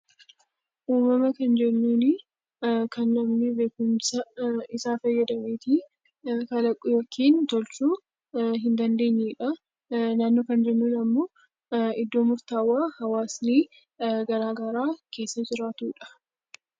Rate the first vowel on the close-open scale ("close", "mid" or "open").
close